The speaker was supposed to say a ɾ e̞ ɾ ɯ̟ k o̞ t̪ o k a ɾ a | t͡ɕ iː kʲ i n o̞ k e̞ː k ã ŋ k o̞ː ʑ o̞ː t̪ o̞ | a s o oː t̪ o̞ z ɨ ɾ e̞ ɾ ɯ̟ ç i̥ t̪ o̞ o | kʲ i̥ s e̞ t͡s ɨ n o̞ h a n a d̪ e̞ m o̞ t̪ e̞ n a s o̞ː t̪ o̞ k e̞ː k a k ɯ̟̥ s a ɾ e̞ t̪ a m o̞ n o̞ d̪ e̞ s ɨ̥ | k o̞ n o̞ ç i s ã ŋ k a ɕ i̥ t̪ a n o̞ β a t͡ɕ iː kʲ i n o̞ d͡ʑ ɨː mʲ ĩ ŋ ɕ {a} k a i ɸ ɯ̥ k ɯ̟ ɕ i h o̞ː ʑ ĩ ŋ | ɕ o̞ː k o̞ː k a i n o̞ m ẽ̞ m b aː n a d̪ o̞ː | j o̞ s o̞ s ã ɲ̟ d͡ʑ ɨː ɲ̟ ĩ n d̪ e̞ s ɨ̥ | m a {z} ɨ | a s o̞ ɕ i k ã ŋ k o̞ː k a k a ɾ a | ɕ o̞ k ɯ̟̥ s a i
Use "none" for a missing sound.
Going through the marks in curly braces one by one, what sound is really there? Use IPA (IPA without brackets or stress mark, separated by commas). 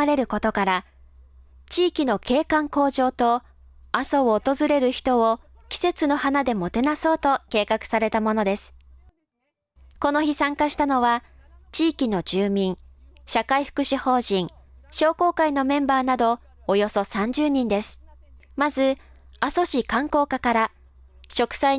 a, z